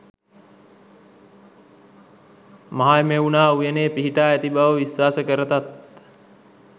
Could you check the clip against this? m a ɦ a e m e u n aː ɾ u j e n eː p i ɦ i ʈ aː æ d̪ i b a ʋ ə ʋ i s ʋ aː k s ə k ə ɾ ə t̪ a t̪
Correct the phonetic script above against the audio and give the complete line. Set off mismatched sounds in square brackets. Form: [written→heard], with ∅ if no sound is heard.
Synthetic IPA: m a ɦ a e m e u n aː [ɾ→∅] u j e n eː p i ɦ i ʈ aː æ [d̪→t̪] i b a ʋ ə ʋ i s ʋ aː [k→∅] s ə k ə ɾ ə t̪ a t̪